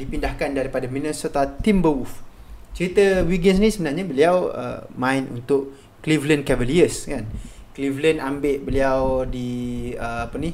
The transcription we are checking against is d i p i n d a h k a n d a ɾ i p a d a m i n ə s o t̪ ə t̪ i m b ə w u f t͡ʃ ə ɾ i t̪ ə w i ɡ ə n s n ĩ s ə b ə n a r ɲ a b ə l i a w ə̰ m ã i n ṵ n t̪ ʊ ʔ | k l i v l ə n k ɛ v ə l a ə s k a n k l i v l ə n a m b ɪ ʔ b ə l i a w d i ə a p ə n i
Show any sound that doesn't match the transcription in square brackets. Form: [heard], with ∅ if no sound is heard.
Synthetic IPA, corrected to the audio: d i p i n d a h k a n d a ɾ i p a d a m i n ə s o t̪ [a] t̪ i m b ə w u f t͡ʃ ə ɾ i t̪ ə w i ɡ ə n s n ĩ s ə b ə n a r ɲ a b ə l i a w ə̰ m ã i n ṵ n t̪ ʊ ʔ | k l i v l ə n k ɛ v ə l [i] ə s k a n k l i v l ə n a m b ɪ ʔ b ə l i a w d i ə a p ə n i